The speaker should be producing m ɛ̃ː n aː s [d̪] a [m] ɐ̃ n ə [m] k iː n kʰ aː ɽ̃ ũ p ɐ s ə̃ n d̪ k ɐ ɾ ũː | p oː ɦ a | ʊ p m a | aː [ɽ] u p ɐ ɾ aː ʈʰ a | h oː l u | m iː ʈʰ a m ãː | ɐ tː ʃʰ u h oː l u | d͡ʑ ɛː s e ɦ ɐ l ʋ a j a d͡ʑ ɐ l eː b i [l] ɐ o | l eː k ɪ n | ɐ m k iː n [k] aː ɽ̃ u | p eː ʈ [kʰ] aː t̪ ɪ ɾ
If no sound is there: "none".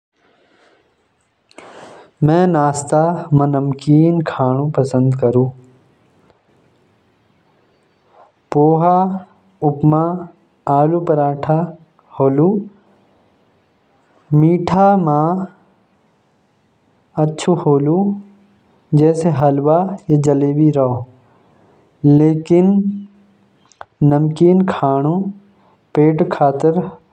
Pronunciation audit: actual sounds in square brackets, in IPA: t̪, m, m, l, ɾ, kʰ, kʰ

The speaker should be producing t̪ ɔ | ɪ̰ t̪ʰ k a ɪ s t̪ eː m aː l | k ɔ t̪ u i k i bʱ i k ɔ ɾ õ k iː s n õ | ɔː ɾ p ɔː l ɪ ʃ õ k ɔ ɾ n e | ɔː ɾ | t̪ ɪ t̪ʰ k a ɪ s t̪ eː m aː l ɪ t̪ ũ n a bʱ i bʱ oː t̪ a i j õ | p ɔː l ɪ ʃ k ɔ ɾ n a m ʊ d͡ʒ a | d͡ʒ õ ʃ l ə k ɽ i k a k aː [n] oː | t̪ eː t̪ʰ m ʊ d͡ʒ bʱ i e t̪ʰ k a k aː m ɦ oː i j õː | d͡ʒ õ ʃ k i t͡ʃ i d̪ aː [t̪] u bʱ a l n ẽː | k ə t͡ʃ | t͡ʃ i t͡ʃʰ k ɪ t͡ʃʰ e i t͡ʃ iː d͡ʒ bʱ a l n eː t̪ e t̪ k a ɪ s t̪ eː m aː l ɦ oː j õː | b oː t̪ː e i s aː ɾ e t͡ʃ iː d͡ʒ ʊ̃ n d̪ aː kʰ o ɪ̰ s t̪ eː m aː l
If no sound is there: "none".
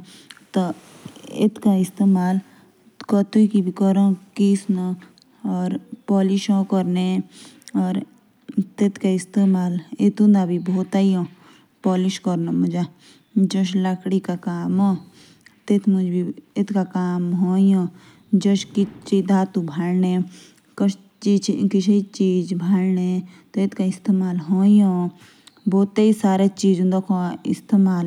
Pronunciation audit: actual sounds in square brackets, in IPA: m, t̪

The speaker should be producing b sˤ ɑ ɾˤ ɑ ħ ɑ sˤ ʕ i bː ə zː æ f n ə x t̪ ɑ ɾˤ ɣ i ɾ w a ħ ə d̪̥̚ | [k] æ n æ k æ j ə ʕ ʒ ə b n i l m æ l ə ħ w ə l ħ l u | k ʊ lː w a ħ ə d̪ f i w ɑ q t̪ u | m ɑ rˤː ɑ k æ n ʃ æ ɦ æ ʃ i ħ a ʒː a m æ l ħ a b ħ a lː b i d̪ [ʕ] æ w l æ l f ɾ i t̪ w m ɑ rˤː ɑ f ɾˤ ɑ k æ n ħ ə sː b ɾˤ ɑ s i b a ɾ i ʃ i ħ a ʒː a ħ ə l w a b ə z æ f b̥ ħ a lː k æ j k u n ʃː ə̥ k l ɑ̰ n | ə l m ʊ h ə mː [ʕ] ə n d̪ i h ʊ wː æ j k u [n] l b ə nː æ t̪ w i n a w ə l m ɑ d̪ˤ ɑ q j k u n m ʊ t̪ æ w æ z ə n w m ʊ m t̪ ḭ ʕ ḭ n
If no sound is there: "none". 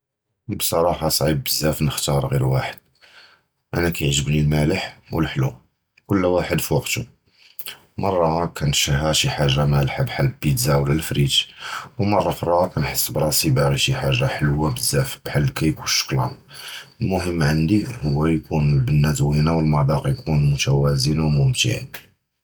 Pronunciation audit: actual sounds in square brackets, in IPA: ʔ, z, ʕ, n

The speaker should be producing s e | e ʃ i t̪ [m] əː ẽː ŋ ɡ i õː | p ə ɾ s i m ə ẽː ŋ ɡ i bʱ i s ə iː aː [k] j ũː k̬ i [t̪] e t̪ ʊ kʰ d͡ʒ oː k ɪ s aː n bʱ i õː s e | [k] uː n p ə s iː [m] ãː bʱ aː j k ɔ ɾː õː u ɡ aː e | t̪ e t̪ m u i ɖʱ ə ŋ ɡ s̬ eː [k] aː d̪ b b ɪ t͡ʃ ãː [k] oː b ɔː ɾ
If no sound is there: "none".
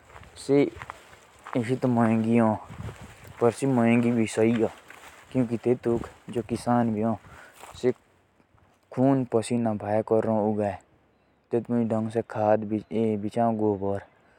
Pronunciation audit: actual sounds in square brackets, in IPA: m, k, t̪, kʰ, n, kʰ, ɡ

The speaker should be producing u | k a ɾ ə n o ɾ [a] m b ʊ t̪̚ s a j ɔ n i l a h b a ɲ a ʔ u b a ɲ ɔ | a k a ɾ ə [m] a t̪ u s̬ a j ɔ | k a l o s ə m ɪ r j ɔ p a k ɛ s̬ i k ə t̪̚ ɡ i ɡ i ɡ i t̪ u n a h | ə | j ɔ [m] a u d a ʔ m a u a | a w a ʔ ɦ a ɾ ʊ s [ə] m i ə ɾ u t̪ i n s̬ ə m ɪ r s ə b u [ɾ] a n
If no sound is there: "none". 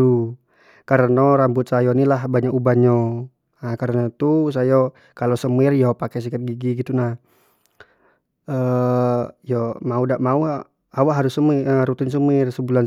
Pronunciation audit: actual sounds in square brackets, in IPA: a, n, m, ə, l

